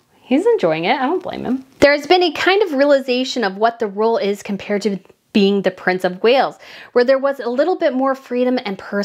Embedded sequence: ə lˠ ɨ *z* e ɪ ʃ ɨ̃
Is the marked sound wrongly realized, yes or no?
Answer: no